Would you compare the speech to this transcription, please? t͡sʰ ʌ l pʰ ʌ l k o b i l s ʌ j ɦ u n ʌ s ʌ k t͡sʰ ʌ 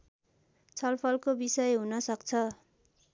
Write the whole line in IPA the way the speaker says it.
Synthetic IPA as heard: t͡sʰ ʌ l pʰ ʌ l k o b i s ʌ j ɦ u n ʌ s ʌ k t͡sʰ ʌ